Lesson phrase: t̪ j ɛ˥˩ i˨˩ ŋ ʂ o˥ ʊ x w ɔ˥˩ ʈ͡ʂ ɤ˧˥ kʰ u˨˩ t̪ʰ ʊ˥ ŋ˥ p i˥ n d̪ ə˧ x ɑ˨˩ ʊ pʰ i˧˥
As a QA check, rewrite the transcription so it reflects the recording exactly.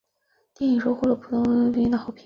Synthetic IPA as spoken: t̪ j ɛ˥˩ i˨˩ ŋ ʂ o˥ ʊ x w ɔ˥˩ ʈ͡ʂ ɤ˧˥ pʰ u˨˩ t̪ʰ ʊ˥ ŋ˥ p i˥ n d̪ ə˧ x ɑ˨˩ ʊ pʰ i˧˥